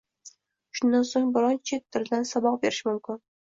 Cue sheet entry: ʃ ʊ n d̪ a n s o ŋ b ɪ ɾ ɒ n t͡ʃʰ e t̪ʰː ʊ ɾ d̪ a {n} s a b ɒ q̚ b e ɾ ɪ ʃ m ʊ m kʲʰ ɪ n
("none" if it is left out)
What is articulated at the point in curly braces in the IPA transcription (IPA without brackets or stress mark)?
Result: n